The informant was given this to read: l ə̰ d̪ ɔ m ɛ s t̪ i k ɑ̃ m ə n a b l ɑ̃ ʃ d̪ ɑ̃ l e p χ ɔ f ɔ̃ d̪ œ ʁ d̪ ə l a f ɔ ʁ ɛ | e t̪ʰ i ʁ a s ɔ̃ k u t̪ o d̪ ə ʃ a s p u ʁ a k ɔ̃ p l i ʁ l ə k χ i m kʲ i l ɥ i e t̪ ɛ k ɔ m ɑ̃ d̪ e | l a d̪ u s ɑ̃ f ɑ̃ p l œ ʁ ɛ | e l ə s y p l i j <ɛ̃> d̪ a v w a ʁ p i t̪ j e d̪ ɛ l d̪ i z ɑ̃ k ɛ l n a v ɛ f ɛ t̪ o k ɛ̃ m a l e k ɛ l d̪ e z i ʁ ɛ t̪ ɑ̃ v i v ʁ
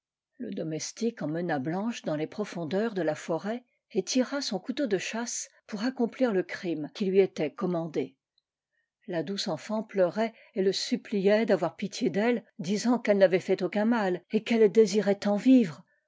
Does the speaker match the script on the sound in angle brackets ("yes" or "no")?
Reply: no